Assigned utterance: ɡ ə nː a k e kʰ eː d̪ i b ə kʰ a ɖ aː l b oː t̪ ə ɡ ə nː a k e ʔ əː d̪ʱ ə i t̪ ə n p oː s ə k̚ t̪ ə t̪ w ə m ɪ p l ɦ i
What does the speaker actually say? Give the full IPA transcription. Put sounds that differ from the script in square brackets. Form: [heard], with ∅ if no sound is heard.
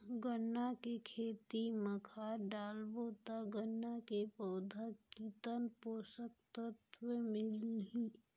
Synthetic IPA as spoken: ɡ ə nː a k e kʰ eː [t̪] i [m] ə kʰ a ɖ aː l b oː t̪ [a] ɡ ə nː a k e [p] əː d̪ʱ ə i t̪ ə n p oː s ə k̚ t̪ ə t̪ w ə m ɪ [∅] l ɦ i